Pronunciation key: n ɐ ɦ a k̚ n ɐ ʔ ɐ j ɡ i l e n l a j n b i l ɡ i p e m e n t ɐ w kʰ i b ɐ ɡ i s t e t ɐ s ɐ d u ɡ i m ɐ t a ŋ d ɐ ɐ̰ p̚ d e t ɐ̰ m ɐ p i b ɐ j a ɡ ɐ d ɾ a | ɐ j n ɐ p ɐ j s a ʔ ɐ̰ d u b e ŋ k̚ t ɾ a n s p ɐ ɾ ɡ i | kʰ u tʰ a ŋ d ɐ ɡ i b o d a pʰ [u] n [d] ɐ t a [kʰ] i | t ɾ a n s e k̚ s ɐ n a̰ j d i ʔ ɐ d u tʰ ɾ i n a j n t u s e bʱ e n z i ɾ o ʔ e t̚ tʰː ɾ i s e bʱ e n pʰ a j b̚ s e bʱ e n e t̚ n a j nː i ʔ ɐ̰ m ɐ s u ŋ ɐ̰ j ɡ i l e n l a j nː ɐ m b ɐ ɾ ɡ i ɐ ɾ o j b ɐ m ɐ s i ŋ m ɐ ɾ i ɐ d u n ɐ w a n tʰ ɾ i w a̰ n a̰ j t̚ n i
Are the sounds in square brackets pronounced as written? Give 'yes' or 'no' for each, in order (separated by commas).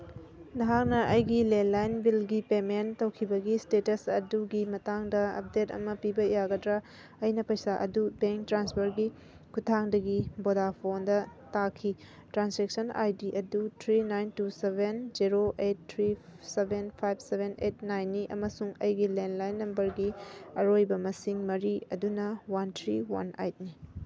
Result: no, yes, yes